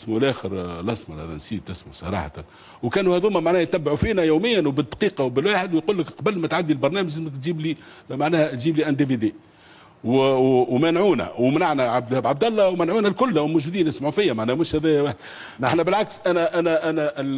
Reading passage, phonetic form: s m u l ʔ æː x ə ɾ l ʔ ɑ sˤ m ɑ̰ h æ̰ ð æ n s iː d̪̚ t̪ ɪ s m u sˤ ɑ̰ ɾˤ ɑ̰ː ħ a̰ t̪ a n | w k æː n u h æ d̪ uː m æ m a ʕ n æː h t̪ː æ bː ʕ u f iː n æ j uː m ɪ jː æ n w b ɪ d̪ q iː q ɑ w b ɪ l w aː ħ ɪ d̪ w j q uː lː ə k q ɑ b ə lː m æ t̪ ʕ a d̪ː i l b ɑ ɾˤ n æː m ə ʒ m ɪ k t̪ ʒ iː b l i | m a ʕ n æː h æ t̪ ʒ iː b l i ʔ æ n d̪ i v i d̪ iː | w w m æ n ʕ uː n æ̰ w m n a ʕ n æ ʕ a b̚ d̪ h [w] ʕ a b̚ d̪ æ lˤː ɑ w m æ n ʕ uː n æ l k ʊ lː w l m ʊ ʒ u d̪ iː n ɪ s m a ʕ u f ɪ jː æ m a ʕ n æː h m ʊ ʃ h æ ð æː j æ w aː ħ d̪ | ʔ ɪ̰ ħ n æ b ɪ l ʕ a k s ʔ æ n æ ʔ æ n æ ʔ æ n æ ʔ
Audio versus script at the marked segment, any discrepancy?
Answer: yes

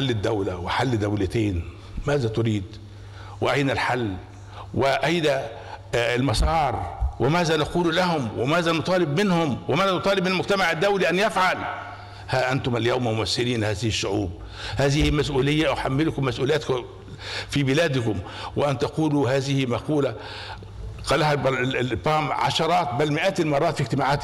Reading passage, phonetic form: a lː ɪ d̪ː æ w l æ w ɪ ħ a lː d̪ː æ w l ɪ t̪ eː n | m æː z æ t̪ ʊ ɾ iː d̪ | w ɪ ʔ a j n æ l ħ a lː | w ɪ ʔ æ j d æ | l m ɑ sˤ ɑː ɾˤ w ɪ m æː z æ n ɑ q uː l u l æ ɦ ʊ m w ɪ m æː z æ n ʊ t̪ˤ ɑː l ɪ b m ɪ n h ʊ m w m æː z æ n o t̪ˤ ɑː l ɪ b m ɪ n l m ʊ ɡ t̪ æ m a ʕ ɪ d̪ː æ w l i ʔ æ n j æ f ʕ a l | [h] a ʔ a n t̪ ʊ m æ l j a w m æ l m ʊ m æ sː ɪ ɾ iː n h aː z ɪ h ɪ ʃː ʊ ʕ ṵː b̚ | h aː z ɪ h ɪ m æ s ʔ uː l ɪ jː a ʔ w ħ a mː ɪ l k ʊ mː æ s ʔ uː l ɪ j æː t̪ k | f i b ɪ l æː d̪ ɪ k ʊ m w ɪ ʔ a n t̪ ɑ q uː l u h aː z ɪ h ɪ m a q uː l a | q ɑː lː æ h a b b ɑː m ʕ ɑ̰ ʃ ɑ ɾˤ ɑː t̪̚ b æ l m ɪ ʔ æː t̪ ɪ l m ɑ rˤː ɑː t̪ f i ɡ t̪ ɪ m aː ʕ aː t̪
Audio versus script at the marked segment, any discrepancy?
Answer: no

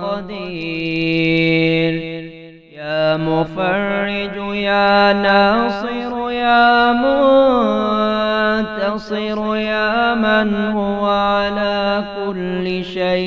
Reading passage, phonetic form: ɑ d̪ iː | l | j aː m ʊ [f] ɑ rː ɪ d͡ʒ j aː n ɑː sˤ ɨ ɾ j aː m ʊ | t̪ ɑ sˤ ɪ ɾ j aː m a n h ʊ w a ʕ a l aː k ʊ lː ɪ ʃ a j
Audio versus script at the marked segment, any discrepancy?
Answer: no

